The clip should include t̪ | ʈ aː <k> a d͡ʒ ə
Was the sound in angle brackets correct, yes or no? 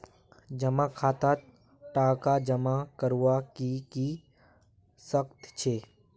yes